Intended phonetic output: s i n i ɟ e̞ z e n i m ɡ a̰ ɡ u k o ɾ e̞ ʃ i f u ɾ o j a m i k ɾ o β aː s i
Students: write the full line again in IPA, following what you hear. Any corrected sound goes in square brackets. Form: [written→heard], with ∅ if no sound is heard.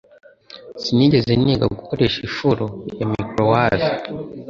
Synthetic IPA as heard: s i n i ɟ e̞ z e n i [m→∅] ɡ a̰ ɡ u k o ɾ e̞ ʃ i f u ɾ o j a m i k ɾ o [β→w] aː [s→z] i